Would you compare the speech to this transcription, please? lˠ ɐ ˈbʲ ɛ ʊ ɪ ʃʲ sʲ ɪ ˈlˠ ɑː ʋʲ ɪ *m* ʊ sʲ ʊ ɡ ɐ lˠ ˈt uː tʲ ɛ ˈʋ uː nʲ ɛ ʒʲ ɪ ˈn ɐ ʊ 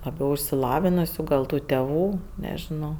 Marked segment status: incorrect: n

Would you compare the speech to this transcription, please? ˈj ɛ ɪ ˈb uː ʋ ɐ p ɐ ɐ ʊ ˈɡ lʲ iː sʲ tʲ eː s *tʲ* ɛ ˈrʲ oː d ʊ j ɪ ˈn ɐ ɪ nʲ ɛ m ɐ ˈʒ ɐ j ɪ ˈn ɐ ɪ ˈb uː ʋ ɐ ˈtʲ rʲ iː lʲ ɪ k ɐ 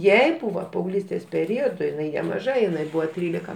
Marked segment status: incorrect: pʲ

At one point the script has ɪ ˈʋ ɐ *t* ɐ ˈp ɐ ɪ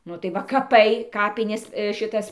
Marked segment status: incorrect: k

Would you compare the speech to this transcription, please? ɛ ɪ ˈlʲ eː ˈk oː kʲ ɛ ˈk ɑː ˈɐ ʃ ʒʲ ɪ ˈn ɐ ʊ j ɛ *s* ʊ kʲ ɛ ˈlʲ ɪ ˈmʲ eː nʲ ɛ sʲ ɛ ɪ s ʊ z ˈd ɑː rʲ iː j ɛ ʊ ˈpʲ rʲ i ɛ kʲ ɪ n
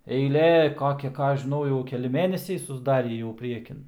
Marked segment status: incorrect: none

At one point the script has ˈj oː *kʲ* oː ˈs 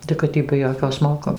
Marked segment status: correct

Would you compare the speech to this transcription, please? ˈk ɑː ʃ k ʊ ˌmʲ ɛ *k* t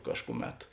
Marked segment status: incorrect: none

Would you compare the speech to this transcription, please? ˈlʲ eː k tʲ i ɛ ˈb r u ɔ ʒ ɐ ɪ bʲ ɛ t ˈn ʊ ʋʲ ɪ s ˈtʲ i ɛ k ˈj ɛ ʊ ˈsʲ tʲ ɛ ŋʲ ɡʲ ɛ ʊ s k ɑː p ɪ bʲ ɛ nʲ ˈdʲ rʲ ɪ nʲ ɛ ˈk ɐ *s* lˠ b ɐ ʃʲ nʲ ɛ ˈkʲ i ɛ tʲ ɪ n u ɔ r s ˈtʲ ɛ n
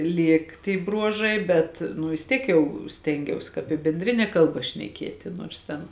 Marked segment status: incorrect: none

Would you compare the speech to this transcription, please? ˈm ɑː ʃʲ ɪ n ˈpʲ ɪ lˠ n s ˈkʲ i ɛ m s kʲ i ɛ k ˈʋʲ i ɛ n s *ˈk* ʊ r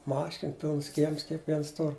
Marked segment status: incorrect: t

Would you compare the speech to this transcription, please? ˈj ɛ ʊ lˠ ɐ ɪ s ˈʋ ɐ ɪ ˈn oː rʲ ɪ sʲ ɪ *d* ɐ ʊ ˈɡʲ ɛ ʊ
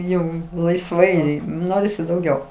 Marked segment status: correct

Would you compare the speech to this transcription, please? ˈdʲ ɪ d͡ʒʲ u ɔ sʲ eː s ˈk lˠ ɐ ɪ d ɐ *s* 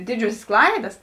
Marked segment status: correct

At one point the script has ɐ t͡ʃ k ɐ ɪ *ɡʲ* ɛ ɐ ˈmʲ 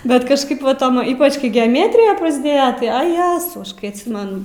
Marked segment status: correct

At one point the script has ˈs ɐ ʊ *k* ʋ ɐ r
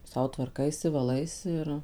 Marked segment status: incorrect: t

